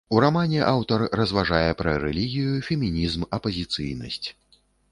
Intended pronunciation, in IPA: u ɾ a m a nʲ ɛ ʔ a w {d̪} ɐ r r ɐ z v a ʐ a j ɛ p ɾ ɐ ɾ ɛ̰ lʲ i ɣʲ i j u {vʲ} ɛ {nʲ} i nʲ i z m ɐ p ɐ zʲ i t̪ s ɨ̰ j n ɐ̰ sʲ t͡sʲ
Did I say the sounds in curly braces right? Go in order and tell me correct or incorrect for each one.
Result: incorrect, incorrect, incorrect

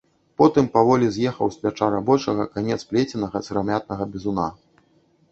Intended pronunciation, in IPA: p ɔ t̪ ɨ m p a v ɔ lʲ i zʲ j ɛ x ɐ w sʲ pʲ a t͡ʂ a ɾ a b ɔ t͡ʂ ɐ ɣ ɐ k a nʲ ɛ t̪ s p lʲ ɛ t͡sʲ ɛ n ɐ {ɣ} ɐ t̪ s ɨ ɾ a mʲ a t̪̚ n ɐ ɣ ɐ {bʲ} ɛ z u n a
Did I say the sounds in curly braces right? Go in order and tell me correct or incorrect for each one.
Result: correct, correct

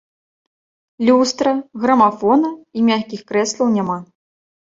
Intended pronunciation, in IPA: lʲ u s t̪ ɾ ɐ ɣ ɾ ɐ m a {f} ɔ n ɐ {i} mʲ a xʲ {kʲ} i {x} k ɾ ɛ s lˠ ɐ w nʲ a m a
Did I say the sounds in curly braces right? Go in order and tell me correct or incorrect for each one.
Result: correct, correct, correct, correct

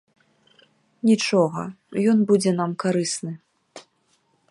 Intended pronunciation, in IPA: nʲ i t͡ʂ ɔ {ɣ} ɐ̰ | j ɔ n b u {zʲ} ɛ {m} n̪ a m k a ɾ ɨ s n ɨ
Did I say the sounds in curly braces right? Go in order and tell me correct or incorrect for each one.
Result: correct, incorrect, incorrect

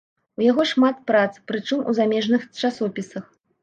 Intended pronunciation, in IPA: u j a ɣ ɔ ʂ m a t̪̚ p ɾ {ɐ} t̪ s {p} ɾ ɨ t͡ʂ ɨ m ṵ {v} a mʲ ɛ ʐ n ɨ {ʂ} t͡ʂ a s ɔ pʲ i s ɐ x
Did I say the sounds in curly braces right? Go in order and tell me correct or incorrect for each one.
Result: incorrect, correct, incorrect, incorrect

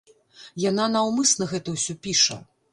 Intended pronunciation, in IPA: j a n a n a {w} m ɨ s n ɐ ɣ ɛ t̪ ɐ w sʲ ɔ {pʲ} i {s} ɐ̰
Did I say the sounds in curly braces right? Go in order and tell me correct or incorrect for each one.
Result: correct, correct, incorrect

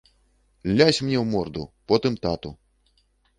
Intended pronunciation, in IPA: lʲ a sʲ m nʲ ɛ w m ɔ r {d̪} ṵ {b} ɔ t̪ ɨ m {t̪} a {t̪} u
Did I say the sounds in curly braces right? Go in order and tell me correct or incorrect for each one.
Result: correct, incorrect, correct, correct

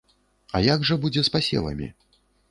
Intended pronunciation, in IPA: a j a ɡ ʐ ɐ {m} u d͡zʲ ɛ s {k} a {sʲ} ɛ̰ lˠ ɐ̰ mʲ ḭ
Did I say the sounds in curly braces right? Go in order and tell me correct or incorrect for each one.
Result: incorrect, incorrect, correct

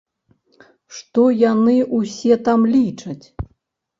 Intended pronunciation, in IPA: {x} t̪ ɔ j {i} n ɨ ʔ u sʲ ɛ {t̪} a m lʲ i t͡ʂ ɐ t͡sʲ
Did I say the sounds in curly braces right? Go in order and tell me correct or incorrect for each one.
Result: incorrect, incorrect, correct

